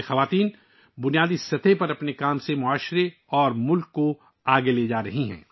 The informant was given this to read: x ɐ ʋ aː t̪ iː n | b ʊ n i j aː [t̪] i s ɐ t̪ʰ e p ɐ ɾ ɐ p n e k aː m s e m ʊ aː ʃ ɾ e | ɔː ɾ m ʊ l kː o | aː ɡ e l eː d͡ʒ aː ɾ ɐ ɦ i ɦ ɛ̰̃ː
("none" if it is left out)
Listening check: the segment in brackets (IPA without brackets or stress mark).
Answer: d̪